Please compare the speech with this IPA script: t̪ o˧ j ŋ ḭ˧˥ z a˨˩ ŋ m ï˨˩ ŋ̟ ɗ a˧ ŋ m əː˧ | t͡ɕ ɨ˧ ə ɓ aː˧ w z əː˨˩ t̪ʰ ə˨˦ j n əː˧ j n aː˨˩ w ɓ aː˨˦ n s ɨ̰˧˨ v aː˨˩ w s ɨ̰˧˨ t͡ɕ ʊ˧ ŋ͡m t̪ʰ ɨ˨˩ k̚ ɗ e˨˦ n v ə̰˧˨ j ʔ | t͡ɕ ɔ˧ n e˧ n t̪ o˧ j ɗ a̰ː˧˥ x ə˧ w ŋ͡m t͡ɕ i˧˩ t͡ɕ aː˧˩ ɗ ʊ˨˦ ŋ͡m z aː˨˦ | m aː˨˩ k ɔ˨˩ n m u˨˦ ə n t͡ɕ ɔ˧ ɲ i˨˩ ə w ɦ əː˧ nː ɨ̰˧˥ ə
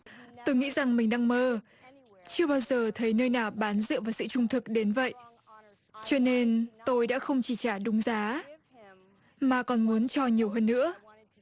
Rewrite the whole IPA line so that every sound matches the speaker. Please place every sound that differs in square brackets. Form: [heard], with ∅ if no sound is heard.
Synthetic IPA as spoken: t̪ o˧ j ŋ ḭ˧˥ z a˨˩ ŋ m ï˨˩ ŋ̟ ɗ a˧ ŋ m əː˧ | t͡ɕ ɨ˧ ə ɓ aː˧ w z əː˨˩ t̪ʰ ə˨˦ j n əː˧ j n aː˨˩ w ɓ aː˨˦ n [z] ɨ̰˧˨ v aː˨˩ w s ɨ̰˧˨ t͡ɕ ʊ˧ ŋ͡m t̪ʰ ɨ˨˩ k̚ ɗ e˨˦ n v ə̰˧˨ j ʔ | t͡ɕ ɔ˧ n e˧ n t̪ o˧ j ɗ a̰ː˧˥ x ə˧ w ŋ͡m t͡ɕ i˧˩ t͡ɕ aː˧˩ ɗ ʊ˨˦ ŋ͡m z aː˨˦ | m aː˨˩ k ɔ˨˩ n m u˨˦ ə n t͡ɕ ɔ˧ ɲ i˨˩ ə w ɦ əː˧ nː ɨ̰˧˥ ə